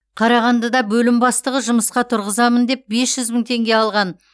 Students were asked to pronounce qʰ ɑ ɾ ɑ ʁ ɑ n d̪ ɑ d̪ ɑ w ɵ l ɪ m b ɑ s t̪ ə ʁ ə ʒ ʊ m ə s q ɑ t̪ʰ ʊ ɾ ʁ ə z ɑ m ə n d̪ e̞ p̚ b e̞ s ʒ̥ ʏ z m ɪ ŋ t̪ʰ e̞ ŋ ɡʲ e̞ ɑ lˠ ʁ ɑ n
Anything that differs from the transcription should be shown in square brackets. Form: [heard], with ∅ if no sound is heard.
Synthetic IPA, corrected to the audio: qʰ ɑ ɾ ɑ ʁ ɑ n d̪ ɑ d̪ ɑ [b] ɵ l ɪ m b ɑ s t̪ ə ʁ ə ʒ ʊ m ə s q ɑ t̪ʰ ʊ ɾ ʁ ə z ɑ m ə n d̪ e̞ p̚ b e̞ s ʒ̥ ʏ z m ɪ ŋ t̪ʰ e̞ ŋ ɡʲ e̞ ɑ lˠ ʁ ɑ n